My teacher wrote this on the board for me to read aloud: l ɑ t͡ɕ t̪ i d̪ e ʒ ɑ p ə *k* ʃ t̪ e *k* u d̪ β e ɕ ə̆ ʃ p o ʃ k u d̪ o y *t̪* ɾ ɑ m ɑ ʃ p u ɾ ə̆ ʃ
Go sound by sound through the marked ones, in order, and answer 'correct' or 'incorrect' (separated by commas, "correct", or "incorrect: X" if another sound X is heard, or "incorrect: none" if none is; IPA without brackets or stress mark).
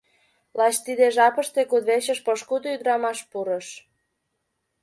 incorrect: none, correct, incorrect: d̪